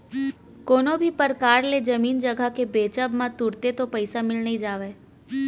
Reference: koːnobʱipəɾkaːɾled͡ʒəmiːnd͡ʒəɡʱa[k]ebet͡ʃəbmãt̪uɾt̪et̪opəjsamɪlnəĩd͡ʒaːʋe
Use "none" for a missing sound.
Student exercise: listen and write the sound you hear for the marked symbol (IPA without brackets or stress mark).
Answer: k